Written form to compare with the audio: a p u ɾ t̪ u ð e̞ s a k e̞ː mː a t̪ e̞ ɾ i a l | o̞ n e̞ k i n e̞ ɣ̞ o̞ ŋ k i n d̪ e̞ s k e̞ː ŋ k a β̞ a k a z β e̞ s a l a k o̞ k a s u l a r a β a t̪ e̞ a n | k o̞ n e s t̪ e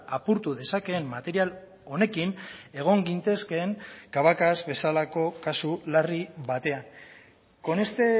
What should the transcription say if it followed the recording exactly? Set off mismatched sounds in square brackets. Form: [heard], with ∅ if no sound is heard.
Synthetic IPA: a p u ɾ t̪ u ð e̞ s a k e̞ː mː a t̪ e̞ ɾ i a l | o̞ n e̞ k i n e̞ ɣ̞ o̞ ŋ [ɡ] i n [t̪] e̞ s k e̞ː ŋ k a β̞ a k a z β e̞ s a l a k o̞ k a s u l a r [i] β a t̪ e̞ a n | k o̞ n e s t̪ e